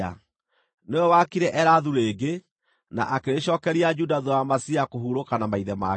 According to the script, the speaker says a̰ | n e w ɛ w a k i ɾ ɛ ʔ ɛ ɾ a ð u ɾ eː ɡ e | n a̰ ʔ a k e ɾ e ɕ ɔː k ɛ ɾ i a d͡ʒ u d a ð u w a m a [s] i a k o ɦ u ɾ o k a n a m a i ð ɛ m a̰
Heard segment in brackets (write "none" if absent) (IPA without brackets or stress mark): s